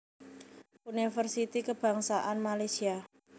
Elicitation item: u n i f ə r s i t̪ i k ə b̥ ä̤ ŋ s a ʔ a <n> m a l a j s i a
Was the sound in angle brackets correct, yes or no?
yes